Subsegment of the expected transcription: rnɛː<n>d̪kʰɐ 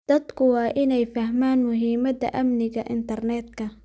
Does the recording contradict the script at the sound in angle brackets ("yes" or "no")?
yes